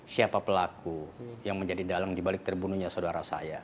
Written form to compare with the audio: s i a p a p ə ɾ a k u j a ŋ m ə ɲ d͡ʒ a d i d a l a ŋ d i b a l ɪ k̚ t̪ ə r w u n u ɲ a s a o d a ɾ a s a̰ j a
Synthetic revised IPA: s i a p a p ə l a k u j a ŋ m ə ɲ d͡ʒ a d i d a l a ŋ d i b a l ɪ k̚ t̪ ə r b u n u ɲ a s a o d a ɾ a s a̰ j a